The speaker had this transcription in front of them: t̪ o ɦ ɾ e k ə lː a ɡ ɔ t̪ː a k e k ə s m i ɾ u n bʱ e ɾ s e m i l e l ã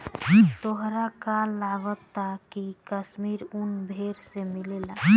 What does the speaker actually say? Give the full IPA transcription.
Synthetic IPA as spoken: t̪ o ɦ ɾ a k a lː a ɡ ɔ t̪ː a k i k ə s m i ɾ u n bʱ e ɾ s e m i l e l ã